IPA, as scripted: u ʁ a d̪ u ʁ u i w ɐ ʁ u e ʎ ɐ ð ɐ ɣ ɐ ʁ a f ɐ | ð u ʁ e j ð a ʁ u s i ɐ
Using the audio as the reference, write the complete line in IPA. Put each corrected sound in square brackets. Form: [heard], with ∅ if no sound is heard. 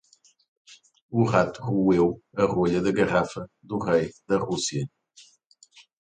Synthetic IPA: u ʁ a [t̪] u ʁ u [e] w ɐ ʁ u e ʎ ɐ ð ɐ ɣ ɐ ʁ a f ɐ | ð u ʁ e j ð [ɐ] ʁ u s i ɐ